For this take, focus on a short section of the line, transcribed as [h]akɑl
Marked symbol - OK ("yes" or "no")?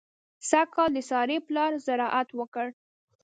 no